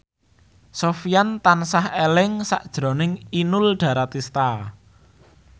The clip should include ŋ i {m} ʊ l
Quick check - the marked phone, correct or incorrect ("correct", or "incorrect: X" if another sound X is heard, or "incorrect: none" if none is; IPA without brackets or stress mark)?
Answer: incorrect: n